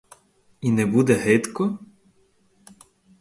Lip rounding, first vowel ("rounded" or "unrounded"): unrounded